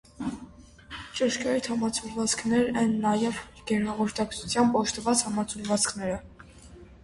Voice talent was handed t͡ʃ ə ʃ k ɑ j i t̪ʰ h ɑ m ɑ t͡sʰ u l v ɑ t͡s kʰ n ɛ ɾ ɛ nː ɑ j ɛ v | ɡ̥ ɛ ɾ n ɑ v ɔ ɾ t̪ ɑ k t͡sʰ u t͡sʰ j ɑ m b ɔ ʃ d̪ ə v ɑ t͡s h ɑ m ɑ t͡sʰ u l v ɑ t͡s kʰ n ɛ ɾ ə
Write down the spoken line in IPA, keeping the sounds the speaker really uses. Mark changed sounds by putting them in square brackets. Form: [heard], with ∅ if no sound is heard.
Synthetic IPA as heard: t͡ʃ ə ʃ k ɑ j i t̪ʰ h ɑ m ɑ t͡sʰ u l v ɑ t͡s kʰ n ɛ ɾ ɛ nː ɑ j ɛ v | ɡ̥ ɛ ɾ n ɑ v ɔ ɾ t̪ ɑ k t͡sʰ u t͡sʰ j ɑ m b ɔ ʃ [t̪] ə v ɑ t͡s h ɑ m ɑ t͡sʰ u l v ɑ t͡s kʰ n ɛ ɾ ə